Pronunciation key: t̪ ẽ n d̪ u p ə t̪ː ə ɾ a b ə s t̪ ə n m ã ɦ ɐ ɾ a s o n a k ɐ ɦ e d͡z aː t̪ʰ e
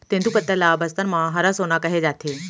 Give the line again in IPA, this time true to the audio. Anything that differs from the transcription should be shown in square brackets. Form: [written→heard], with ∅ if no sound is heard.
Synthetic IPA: t̪ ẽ n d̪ u p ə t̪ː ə [ɾ→l] a b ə s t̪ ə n m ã ɦ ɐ ɾ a s o n a k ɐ ɦ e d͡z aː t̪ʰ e